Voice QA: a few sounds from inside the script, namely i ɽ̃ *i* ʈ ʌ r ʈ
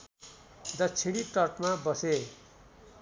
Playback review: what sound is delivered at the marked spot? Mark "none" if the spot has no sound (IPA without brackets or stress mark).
i